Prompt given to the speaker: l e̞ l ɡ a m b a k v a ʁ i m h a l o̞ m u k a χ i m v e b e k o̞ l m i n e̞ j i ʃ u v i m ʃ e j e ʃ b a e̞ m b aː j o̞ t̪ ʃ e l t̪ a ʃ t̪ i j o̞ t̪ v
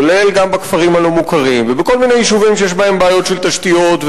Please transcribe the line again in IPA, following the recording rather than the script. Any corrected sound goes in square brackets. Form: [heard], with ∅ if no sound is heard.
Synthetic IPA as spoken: l e̞ l ɡ a m b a k [f] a ʁ i m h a l o̞ m u k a [ʁ] i m v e b e k o̞ l m i n e̞ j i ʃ u v i m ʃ e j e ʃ b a e̞ m b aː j o̞ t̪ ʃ e l t̪ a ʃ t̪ i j o̞ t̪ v